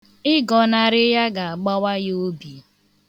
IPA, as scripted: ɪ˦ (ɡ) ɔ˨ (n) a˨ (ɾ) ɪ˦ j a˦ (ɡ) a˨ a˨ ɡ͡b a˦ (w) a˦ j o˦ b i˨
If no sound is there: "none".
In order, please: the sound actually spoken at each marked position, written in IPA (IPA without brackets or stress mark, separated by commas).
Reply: ɡ, n, ɾ, ɡ, w